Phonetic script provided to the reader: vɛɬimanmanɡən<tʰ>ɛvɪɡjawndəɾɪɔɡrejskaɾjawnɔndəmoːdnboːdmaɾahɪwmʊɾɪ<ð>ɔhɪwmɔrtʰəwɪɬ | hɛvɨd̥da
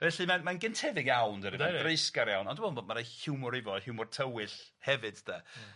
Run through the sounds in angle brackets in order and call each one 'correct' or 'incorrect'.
correct, incorrect: v

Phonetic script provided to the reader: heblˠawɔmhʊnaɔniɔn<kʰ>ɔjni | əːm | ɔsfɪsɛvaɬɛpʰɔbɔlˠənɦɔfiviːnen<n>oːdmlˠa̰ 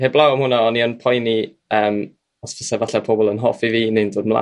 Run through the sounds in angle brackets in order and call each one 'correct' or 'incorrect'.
incorrect: pʰ, incorrect: d

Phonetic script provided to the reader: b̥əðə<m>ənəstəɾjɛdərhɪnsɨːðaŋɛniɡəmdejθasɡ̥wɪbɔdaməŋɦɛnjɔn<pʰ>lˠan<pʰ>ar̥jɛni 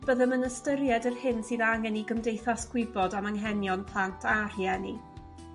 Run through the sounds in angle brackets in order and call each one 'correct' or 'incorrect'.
correct, correct, incorrect: tʰ

